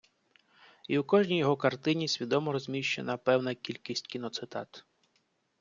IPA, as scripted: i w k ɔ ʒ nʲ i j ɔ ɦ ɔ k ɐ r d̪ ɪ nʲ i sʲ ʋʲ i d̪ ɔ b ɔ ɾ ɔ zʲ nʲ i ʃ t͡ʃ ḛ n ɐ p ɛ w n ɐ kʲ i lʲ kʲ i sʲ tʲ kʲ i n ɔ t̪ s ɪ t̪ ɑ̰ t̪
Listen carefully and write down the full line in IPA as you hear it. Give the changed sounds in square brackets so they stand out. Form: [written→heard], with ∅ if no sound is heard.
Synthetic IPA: i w k ɔ ʒ nʲ i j ɔ ɦ ɔ k ɐ r [d̪→t̪] ɪ nʲ i sʲ ʋʲ i d̪ ɔ [b→m] ɔ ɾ ɔ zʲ [nʲ→mʲ] i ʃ t͡ʃ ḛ n ɐ p ɛ w n ɐ kʲ i lʲ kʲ i sʲ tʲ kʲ i n ɔ t̪ s ɪ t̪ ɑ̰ t̪